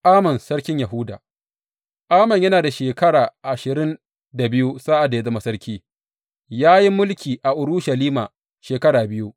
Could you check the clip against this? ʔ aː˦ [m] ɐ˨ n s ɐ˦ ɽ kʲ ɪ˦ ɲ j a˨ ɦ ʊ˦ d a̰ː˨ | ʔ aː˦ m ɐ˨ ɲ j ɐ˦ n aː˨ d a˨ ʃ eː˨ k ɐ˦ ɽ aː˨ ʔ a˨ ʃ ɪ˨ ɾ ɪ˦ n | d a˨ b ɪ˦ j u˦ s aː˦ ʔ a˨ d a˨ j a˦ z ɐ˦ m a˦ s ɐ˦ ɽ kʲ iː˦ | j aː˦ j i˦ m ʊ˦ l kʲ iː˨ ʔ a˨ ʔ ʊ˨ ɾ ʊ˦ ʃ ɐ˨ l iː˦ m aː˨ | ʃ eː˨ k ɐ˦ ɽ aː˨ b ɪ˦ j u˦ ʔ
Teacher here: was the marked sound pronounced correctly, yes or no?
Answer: yes